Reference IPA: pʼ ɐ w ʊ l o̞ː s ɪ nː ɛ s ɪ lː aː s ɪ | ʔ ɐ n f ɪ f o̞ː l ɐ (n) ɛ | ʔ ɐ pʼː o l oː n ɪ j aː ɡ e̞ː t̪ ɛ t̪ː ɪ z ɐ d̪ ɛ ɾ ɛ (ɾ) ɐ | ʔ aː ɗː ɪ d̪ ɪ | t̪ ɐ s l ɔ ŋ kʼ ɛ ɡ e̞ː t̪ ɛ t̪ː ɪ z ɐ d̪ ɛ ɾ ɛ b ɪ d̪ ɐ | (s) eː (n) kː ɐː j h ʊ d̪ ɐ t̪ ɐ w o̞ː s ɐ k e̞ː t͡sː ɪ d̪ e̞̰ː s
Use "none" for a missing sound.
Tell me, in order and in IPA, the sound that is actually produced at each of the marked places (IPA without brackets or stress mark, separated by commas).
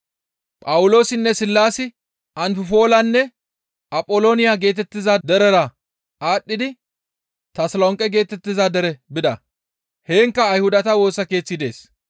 nː, ɾ, h, ŋ